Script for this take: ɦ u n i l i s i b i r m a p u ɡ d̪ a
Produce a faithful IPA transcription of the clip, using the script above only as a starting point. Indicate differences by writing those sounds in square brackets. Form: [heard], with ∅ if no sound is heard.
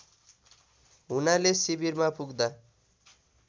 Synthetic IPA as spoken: ɦ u n [a] l [e] s i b i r m a p u ɡ d̪ a